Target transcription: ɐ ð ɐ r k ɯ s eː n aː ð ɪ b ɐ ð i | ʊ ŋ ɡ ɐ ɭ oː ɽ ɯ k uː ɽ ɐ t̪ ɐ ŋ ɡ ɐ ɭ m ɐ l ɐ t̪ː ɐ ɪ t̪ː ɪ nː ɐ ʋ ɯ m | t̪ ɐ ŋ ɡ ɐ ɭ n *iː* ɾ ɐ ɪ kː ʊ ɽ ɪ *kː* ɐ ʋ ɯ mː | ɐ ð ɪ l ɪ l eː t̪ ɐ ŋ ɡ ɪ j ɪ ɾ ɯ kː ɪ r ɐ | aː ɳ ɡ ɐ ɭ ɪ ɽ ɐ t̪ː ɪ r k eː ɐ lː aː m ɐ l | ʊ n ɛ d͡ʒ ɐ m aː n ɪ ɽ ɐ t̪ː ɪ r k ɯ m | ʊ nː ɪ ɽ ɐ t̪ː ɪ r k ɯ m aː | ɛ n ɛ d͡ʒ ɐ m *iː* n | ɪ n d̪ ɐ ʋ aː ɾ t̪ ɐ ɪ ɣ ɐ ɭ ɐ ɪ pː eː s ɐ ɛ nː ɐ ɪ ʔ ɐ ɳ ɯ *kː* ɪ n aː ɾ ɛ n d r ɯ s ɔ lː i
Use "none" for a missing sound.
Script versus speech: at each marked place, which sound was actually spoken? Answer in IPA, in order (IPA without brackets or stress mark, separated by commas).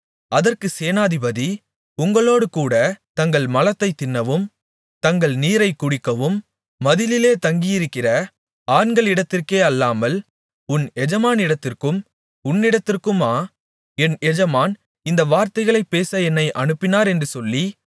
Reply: iː, kː, aː, pː